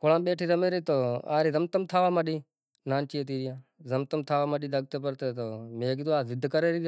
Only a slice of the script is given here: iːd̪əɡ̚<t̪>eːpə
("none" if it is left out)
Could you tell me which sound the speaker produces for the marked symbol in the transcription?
t̪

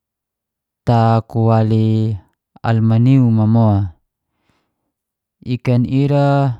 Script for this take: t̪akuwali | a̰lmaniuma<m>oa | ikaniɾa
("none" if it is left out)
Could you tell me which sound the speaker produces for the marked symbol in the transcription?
m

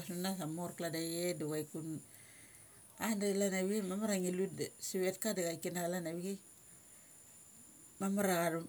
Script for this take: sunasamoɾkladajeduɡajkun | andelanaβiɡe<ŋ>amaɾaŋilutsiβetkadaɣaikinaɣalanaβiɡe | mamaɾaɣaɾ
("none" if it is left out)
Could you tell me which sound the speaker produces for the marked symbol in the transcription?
m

